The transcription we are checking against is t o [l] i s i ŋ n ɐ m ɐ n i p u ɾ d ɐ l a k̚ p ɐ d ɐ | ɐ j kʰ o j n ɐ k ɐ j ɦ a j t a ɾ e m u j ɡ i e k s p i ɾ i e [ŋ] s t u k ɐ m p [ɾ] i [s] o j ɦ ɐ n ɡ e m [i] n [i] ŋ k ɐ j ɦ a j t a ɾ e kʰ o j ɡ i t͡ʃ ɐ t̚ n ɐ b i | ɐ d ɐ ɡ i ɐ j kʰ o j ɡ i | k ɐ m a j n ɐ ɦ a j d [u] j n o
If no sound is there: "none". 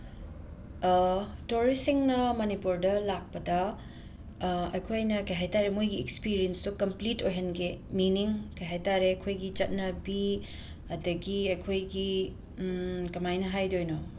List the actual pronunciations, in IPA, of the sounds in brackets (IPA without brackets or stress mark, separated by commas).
ɾ, n, l, t, i, i, o